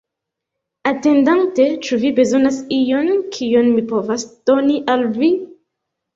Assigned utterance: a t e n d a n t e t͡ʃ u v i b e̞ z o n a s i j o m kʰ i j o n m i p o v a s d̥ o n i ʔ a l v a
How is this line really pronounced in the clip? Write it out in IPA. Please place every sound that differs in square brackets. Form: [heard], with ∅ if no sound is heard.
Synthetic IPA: a t e n d a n t e t͡ʃ u v i b e̞ z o n a s i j o [n] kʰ i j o n m i p o v a s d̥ o n i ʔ a l v [i]